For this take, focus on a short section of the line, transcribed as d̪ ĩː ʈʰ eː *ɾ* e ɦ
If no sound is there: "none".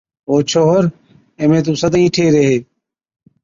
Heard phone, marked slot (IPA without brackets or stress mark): ɾ